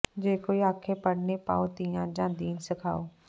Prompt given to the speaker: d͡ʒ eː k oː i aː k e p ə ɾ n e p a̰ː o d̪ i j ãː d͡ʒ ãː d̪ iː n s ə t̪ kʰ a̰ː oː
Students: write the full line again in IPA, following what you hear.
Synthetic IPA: d͡ʒ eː k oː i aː kʰ e p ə ɽ n e p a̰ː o t̪ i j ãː d͡ʒ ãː d̪ iː n s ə kʰ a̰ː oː